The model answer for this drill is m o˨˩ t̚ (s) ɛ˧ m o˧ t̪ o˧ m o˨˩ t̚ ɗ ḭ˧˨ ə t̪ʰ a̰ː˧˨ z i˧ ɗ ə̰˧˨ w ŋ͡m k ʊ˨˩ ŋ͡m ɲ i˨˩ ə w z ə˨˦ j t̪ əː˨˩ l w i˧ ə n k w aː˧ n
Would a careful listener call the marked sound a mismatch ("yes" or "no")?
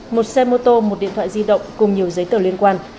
no